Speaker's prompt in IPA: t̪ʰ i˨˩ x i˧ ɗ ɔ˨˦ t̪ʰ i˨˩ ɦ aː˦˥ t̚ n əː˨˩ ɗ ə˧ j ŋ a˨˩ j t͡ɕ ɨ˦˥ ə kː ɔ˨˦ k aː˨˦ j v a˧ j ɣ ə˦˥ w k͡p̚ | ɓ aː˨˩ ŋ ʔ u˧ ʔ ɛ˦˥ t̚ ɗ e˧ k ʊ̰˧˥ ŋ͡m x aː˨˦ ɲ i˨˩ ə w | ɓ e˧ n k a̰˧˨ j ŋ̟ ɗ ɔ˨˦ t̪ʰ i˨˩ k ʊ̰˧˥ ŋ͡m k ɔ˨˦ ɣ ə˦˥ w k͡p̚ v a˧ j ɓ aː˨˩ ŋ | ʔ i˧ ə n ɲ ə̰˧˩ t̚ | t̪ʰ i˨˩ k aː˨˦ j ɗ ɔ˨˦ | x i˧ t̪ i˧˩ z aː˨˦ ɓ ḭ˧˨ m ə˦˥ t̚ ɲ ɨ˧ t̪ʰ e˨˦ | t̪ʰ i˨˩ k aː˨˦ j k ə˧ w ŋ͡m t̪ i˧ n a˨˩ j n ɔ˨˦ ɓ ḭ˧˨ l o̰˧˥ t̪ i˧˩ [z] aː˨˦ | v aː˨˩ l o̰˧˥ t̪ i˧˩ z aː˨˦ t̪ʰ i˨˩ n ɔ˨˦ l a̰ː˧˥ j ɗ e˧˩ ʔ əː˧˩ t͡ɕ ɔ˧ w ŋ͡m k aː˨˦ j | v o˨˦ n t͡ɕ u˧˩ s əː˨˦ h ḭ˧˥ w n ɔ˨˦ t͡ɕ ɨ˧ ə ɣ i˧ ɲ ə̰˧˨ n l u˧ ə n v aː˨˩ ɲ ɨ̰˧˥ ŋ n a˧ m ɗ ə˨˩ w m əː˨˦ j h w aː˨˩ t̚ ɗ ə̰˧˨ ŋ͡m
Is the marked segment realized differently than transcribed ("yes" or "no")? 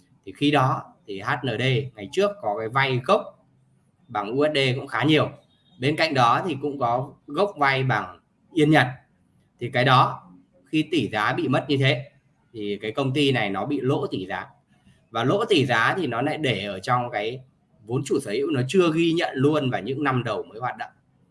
no